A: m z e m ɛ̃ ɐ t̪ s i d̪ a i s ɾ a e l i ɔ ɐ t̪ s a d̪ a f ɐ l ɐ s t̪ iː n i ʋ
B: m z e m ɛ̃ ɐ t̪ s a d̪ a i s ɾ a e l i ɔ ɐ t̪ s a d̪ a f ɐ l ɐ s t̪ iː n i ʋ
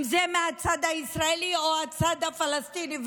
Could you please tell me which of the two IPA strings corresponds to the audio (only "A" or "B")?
B